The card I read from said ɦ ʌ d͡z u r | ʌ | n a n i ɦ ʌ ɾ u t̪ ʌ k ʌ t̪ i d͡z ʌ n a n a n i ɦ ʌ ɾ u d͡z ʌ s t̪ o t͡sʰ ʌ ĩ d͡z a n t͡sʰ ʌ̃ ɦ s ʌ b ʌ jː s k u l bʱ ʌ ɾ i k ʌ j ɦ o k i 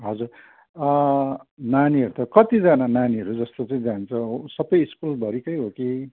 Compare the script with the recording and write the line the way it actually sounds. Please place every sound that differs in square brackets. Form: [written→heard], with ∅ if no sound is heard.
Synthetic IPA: ɦ ʌ d͡z u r | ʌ | n a n i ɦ ʌ ɾ u t̪ ʌ k ʌ t̪ i d͡z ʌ n a n a n i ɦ ʌ ɾ u d͡z ʌ s t̪ o [t͡sʰ→t͡s] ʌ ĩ d͡z a n t͡sʰ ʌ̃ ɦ s ʌ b ʌ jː s k u l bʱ ʌ ɾ i k ʌ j ɦ o k i